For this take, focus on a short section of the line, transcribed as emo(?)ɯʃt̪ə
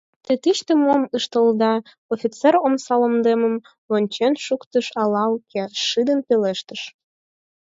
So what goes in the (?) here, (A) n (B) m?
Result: B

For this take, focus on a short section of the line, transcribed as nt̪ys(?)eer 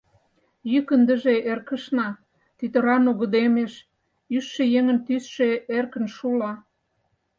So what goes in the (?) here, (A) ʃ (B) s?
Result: A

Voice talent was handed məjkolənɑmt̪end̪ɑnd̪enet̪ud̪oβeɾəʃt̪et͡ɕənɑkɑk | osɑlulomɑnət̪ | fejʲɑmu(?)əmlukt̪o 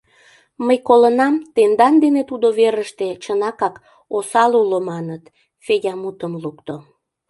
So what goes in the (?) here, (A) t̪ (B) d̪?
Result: A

